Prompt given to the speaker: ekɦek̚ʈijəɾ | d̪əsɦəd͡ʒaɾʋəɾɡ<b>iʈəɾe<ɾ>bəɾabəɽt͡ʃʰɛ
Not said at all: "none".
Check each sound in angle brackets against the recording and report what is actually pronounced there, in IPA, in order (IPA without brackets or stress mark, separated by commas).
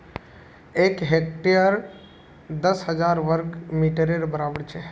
m, ɾ